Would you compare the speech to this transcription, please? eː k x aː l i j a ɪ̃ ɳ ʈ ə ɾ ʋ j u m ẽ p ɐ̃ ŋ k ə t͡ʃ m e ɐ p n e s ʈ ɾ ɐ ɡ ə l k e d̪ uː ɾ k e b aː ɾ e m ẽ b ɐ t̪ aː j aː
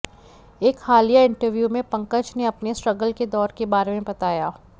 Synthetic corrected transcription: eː k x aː l i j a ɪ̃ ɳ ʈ ə ɾ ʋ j u m ẽ p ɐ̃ ŋ k ə t͡ʃ n e ɐ p n e s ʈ ɾ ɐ ɡ ə l k e d̪ ɔː ɾ k e b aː ɾ e m ẽ b ɐ t̪ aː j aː